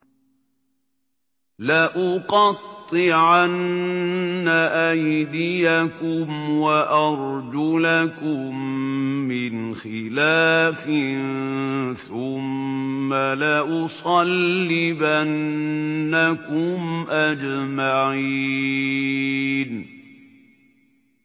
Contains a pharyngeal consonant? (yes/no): yes